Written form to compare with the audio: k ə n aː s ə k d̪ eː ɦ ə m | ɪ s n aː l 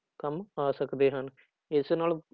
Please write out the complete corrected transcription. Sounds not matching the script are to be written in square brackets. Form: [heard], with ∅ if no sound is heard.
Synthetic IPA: k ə [m] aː s ə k d̪ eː ɦ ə [n] | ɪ s n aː l